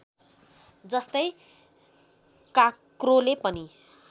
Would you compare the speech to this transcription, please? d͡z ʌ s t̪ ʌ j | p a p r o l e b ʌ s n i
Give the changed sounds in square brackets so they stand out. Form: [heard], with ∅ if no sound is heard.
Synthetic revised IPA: d͡z ʌ s t̪ ʌ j | [k] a [k] r o l e [p] ʌ [∅] n i